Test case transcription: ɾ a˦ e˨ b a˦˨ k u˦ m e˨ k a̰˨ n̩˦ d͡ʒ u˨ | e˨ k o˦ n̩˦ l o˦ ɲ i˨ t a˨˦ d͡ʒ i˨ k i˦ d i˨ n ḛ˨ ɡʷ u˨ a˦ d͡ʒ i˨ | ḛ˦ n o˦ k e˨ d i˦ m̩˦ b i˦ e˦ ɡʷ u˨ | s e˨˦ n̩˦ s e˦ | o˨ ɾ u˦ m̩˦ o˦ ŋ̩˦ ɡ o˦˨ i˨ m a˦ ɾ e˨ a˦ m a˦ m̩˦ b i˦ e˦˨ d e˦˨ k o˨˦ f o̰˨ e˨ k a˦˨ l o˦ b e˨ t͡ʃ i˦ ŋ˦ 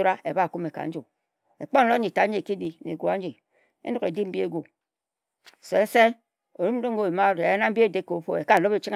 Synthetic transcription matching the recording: ɾ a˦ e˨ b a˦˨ k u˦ m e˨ k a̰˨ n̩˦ d͡ʒ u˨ | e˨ k͡p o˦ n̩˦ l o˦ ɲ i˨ t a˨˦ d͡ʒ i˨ k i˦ d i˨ n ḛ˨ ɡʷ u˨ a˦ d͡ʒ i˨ | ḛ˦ n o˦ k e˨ d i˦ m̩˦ b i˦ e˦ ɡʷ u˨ | s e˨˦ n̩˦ s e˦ | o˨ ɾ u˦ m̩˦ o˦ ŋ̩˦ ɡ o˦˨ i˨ m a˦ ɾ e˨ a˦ n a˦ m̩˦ b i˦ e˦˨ d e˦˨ k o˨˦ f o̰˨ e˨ k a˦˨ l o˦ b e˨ t͡ʃ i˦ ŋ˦